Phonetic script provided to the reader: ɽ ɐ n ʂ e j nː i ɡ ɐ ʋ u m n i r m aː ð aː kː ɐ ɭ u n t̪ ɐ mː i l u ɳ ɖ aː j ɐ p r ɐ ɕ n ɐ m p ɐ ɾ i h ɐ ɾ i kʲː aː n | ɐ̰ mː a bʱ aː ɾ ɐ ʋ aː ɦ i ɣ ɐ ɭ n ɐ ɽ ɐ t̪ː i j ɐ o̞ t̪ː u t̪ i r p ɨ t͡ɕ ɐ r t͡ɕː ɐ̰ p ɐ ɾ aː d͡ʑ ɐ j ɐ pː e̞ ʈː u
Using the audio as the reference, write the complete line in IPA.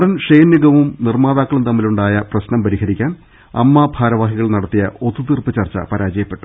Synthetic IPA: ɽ ɐ n ʂ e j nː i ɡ ɐ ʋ u m n i r m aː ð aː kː ɐ ɭ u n t̪ ɐ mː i l u ɳ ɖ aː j ɐ p r ɐ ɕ n ɐ m p ɐ ɾ i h ɐ ɾ i kʲː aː n | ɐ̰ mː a bʱ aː ɾ ɐ ʋ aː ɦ i ɣ ɐ ɭ n ɐ ɽ ɐ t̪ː i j ɐ o̞ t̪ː u t̪ i r p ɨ t͡ɕ ɐ r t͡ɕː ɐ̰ p ɐ ɾ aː d͡ʑ ɐ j ɐ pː e̞ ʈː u